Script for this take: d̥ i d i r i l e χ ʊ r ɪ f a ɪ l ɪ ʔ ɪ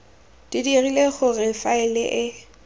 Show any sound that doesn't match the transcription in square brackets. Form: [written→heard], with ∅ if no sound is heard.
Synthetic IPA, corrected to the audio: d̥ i d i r i l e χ ʊ r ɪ f a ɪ l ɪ ʔ ɪ